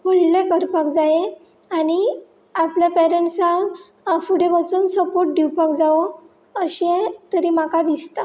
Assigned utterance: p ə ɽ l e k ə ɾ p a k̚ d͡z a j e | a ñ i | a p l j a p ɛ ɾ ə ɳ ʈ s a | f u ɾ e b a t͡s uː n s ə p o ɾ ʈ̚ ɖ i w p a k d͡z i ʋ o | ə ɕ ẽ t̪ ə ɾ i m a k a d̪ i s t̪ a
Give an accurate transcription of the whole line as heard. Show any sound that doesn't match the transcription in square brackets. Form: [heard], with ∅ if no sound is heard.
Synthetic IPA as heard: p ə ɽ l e k ə ɾ p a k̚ d͡z a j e | a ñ i | a p l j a p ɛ ɾ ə ɳ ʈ s a | f u [ɽ] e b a t͡s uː n s ə p o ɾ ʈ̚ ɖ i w p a k d͡z [a] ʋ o | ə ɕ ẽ t̪ ə ɾ i m a k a d̪ i s t̪ a